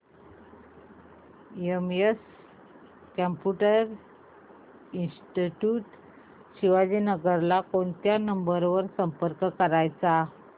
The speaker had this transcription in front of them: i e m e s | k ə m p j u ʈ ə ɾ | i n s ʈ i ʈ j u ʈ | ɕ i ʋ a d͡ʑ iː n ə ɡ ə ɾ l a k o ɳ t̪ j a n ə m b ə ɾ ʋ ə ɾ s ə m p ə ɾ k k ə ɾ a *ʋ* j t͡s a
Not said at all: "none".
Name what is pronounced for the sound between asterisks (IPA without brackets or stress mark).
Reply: none